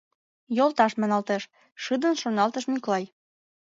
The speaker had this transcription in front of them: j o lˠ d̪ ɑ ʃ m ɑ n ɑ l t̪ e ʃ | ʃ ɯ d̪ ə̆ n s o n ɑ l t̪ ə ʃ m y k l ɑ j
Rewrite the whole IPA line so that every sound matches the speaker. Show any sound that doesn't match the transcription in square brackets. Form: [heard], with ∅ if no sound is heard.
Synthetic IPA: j o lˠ [t̪] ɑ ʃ m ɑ n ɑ l t̪ e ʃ | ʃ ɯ d̪ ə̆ n [ʃ] o n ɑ l t̪ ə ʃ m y k l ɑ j